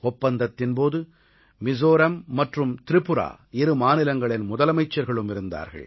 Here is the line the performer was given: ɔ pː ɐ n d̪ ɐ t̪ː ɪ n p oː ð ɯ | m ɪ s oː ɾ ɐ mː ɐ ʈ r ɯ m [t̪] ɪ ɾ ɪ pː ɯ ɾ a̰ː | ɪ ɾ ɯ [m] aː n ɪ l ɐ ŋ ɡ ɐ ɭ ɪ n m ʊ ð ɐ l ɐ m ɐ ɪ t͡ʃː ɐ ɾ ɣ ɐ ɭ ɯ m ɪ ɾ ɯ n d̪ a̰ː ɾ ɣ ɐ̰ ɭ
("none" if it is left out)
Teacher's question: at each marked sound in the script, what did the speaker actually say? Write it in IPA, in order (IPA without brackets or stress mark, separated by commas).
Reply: t̪, m